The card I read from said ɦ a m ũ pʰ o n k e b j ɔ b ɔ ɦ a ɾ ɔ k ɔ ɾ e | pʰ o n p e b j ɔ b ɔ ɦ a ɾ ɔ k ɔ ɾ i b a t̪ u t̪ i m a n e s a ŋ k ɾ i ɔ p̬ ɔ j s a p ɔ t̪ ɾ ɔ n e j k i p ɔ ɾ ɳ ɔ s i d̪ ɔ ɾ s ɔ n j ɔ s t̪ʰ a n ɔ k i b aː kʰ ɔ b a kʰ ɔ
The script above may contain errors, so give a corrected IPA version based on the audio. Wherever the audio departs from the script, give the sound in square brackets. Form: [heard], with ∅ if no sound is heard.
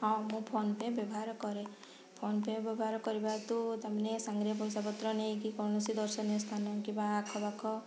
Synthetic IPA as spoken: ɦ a m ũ pʰ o n [p] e b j ɔ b ɔ ɦ a ɾ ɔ k ɔ ɾ e | pʰ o n p e b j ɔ b ɔ ɦ a ɾ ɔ k ɔ ɾ i b a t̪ u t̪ [a] m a n e s a ŋ [ɡ] ɾ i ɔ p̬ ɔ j s a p ɔ t̪ ɾ ɔ n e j k i [k] ɔ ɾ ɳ ɔ s i d̪ ɔ ɾ s ɔ n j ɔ s t̪ʰ a n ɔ k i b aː kʰ ɔ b a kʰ ɔ